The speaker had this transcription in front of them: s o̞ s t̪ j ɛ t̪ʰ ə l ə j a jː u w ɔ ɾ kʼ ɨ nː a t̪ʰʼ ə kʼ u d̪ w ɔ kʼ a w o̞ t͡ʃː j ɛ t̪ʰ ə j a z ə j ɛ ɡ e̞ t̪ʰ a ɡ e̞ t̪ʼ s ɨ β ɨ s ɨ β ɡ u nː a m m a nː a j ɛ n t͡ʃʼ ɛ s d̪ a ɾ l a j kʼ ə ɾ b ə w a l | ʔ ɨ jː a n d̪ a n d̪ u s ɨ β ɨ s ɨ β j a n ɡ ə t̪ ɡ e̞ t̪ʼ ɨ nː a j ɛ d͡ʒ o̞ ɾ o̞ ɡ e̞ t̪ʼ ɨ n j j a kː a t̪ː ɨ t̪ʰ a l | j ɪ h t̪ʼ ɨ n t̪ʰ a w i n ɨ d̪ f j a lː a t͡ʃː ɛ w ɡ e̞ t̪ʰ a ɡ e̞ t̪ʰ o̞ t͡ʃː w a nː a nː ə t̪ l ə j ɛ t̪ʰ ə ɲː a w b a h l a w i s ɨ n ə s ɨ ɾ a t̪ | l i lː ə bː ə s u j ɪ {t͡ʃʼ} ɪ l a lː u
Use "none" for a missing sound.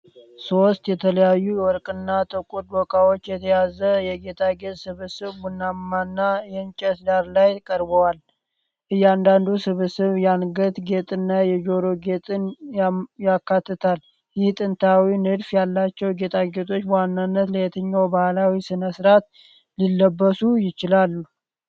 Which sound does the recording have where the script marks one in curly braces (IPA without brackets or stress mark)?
t͡ʃ